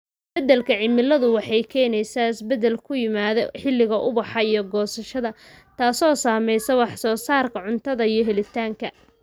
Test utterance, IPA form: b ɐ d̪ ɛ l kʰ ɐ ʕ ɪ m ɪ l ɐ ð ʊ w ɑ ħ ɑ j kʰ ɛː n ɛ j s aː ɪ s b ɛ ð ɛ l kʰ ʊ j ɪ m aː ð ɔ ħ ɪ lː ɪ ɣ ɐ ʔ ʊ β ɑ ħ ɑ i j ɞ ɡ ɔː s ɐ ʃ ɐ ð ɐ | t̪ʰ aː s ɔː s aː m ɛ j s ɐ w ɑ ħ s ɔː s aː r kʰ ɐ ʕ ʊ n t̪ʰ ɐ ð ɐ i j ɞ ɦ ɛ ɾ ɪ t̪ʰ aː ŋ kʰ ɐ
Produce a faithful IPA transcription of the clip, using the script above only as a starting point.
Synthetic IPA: b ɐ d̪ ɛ l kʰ ɐ ʕ ɪ m ɪ l ɐ ð ʊ w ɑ ħ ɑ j kʰ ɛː n ɛ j s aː ɪ s b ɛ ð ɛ l kʰ ʊ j ɪ m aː ð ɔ ħ ɪ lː ɪ ɣ ɐ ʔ ʊ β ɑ ħ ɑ i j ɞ ɡ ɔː s ɐ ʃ ɐ ð ɐ | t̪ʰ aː s ɔː s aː m ɛ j s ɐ w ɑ ħ s ɔː s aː r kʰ ɐ ʕ ʊ n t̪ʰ ɐ ð ɐ i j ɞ ɦ ɛ l ɪ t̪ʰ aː ŋ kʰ ɐ